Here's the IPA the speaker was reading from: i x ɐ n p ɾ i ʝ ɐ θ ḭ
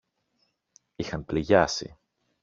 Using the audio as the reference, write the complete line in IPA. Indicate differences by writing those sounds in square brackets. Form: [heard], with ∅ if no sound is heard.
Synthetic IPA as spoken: i x ɐ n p [l] i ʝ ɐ [s] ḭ